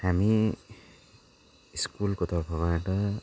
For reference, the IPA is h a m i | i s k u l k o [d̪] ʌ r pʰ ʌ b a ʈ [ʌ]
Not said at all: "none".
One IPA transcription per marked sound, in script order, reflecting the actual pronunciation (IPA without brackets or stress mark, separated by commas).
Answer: t̪, ʌ